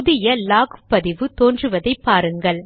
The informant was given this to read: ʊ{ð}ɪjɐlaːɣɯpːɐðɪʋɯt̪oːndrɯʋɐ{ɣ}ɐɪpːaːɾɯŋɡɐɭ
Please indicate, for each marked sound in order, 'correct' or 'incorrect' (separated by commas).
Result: correct, incorrect